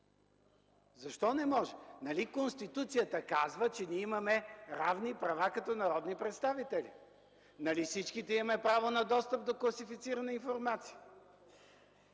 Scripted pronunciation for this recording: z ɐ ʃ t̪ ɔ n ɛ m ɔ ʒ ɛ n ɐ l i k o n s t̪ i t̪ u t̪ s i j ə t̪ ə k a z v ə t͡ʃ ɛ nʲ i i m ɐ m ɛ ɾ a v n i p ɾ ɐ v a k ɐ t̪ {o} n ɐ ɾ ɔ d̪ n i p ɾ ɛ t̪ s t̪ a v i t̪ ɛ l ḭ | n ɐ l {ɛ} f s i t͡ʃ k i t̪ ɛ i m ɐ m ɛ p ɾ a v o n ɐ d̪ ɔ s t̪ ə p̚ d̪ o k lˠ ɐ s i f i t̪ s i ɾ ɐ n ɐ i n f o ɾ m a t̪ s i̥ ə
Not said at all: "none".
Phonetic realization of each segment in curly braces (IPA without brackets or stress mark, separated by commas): ɔ, i